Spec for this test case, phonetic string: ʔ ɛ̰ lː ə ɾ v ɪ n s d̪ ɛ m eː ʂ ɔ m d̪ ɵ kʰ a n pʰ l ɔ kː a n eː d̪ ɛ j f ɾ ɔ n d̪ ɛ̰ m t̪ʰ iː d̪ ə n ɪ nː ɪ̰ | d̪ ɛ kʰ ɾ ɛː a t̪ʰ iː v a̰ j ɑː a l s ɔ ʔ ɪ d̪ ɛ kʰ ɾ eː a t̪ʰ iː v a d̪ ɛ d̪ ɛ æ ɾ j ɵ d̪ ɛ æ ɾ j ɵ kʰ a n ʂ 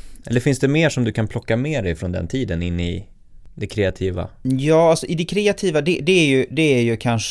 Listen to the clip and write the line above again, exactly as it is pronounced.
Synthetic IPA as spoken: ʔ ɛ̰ lː ə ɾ f ɪ n s d̪ ɛ m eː ʂ ɔ m d̪ ɵ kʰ a n pʰ l ɔ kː a m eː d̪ ɛ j f ɾ ɔ n d̪ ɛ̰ n t̪ʰ iː d̪ ə n ɪ nː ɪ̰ | d̪ ɛ kʰ ɾ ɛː a t̪ʰ iː v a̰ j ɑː a l s ɔ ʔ ɪ d̪ ɛ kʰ ɾ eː a t̪ʰ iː v a d̪ ɛ d̪ ɛ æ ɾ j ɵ d̪ ɛ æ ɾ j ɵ kʰ a n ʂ